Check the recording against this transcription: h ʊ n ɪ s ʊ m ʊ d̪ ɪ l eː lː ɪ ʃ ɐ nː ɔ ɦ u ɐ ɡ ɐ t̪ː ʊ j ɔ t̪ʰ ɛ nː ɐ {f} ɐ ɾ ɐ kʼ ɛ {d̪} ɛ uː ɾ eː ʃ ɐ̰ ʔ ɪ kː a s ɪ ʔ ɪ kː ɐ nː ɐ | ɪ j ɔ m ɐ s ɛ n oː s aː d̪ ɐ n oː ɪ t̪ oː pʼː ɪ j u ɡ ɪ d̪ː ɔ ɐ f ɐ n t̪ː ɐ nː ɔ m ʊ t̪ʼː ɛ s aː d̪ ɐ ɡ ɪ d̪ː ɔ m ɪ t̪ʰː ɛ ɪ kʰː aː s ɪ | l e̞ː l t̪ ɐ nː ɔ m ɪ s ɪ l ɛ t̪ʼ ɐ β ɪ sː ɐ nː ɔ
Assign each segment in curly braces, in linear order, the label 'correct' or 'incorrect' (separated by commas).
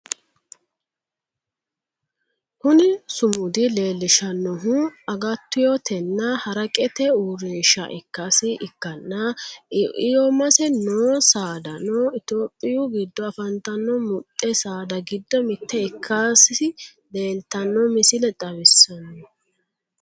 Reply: incorrect, incorrect